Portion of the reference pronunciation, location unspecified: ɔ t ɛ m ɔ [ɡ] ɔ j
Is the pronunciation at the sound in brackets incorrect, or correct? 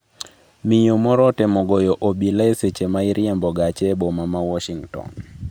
correct